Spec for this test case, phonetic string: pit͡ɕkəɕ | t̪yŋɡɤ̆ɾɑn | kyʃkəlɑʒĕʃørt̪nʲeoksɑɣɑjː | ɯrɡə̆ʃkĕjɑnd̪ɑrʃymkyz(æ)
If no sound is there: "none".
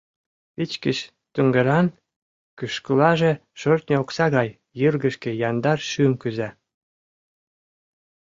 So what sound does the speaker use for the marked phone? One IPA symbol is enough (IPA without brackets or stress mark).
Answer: æ